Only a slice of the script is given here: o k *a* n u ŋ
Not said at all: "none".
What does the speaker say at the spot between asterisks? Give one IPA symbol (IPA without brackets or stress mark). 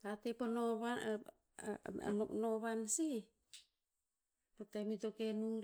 e